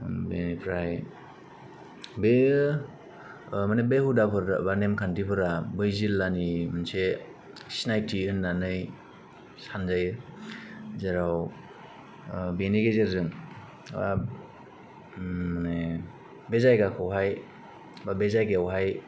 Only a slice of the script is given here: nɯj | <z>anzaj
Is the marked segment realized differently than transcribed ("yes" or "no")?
yes